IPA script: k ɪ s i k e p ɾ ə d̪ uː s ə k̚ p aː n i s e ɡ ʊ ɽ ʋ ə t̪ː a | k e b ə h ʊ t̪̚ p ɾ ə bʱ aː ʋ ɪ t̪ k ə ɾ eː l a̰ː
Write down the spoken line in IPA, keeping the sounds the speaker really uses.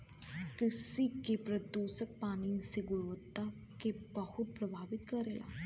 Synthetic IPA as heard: k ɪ s i k e p ɾ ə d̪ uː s ə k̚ p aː n i s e ɡ ʊ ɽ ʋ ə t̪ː a | k e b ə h ʊ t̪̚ p ɾ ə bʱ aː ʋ ɪ t̪ k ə ɾ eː l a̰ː